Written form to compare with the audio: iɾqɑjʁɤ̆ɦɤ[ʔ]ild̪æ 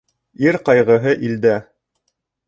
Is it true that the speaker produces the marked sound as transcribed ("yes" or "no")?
yes